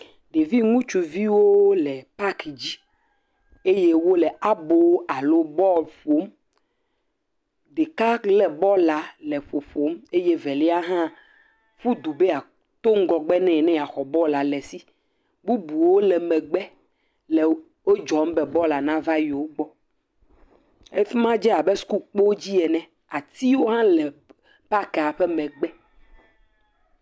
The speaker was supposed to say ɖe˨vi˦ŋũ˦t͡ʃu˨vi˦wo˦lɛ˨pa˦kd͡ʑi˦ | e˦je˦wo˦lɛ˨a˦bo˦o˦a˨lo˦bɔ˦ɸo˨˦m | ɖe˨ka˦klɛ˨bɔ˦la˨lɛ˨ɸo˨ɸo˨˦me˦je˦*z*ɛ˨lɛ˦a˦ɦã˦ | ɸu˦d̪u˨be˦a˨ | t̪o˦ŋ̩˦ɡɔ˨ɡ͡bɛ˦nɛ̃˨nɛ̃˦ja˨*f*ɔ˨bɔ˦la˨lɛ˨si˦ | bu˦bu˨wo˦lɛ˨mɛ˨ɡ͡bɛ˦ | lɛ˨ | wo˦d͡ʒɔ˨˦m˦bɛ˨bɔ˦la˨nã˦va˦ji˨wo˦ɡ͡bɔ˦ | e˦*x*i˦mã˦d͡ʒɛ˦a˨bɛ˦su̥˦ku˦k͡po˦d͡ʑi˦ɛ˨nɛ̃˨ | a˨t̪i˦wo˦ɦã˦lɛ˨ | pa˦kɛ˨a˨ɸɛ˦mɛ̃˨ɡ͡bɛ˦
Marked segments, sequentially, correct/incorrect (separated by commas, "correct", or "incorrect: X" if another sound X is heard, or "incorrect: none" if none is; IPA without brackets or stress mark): incorrect: v, incorrect: x, incorrect: f